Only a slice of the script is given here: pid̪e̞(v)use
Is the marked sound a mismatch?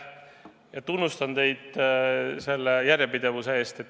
no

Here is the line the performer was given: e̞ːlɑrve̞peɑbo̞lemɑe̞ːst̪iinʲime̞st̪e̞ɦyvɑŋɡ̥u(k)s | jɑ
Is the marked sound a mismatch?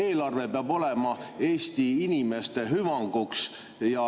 no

